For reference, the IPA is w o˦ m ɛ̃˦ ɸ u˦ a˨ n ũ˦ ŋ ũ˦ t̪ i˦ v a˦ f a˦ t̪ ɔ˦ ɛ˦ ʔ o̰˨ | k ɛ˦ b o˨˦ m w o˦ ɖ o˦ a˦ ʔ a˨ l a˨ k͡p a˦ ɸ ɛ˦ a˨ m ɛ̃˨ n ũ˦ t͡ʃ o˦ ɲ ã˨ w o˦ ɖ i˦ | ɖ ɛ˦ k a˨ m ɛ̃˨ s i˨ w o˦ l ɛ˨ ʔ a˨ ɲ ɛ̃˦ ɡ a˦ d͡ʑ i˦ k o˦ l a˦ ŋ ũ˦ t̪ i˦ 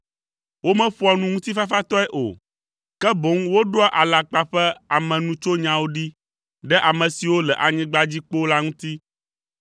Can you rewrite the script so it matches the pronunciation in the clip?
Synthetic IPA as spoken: w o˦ m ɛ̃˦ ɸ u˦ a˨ n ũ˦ ŋ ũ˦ t̪ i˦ f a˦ f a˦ t̪ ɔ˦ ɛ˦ ʔ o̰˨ | k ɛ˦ b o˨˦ ŋ w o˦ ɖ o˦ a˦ ʔ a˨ l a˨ k͡p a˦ ɸ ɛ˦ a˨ m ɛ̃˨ n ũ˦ t͡ʃ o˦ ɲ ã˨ w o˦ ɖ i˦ | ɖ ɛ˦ ʔ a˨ m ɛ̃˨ s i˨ w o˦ l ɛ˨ ʔ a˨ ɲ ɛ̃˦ ɡ͡b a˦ d͡ʑ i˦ k͡p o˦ l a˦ ŋ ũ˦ t̪ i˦